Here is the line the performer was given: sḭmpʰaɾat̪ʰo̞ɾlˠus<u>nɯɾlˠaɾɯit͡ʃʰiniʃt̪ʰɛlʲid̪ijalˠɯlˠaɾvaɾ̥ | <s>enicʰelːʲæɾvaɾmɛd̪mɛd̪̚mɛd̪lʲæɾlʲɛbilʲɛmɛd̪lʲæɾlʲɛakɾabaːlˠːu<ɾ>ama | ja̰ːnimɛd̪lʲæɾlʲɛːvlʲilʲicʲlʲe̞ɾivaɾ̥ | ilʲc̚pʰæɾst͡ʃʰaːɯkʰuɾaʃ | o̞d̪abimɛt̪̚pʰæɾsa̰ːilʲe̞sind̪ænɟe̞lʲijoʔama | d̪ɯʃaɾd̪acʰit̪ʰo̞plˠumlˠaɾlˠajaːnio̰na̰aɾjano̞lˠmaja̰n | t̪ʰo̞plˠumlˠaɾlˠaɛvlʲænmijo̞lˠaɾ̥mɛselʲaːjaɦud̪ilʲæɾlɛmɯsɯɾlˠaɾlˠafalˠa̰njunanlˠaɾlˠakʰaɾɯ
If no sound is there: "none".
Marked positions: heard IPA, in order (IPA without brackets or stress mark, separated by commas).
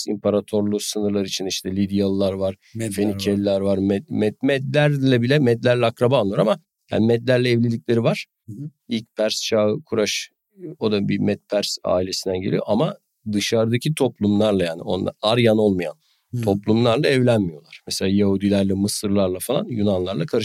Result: ɯ, f, ɾ